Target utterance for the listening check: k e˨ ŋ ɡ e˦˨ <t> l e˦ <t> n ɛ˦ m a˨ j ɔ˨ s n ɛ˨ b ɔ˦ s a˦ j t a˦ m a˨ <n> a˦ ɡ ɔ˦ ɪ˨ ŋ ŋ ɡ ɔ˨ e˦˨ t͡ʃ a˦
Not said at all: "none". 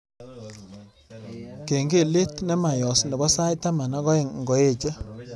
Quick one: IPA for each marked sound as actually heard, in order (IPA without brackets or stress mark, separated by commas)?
none, t, n